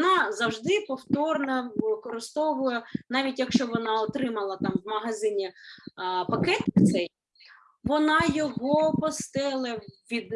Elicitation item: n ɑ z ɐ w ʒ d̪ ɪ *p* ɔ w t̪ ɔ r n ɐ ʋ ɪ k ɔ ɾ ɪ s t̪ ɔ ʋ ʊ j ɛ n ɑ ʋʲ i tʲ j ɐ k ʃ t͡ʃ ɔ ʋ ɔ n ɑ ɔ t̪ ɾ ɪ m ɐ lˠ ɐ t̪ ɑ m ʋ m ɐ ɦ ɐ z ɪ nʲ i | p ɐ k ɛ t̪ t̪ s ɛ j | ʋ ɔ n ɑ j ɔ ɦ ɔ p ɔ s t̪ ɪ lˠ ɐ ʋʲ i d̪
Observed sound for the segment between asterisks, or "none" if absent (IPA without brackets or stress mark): p